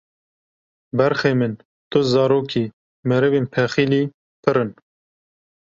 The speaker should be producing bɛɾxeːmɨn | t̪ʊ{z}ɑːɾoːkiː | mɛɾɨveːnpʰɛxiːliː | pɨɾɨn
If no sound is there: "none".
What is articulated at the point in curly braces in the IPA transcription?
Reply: z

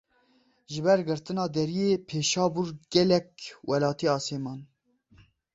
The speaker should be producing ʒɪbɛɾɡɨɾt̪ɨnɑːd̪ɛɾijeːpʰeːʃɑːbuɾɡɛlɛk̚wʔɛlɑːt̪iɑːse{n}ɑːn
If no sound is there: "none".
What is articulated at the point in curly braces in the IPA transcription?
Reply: m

